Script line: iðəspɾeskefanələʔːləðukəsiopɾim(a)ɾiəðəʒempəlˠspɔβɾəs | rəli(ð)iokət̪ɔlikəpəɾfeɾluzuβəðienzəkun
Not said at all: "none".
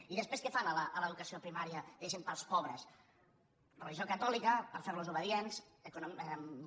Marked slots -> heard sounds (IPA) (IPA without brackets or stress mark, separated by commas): a, ʒ